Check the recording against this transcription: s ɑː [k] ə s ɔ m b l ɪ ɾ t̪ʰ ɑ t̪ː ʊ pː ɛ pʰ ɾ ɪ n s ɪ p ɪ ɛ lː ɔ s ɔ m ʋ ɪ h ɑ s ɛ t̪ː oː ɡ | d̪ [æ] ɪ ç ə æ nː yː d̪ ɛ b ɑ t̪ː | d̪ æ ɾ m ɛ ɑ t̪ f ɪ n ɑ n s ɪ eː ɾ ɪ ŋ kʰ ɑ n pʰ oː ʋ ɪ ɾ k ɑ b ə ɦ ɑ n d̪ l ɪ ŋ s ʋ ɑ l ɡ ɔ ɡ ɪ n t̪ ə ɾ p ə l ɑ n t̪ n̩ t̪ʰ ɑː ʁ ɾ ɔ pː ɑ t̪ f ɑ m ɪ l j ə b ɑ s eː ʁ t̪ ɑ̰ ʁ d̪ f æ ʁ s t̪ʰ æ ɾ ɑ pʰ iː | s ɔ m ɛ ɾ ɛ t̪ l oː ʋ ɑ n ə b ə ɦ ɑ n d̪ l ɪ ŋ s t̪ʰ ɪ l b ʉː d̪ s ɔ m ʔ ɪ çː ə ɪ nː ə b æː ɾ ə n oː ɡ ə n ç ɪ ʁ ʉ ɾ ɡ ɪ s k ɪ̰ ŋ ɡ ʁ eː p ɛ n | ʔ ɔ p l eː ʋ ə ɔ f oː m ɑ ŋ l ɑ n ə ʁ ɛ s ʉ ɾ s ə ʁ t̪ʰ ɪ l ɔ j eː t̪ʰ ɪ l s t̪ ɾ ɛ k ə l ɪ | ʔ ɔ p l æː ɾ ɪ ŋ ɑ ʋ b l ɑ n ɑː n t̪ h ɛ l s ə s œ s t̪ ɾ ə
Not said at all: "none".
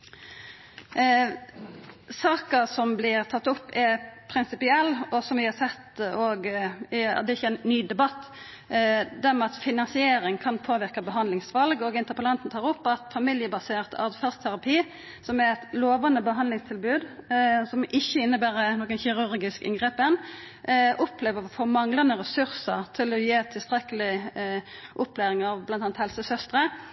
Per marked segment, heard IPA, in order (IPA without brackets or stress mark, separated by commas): k, ɛ